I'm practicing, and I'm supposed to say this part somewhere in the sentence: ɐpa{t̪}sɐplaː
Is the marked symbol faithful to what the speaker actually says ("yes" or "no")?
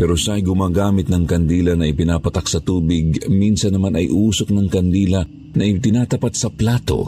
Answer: yes